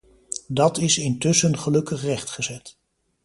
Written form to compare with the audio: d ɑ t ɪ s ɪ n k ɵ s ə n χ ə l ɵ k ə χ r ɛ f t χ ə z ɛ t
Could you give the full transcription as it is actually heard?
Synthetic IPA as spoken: d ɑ t ɪ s ɪ n t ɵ s ə n χ ə l ɵ k ə χ r ɛ χ t χ ə z ɛ t